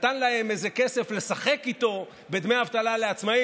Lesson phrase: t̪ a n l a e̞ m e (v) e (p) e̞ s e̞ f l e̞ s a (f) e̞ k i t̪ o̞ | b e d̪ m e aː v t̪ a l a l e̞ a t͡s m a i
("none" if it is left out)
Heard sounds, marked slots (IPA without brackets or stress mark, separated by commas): z, k, χ